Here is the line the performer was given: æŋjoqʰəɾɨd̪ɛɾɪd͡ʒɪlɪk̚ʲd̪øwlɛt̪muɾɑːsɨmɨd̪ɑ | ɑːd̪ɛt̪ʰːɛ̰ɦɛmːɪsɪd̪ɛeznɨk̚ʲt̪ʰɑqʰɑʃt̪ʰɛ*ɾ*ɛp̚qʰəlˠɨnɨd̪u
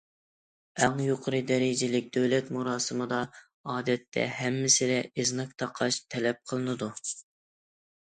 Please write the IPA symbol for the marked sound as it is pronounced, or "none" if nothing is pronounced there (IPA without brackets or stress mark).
l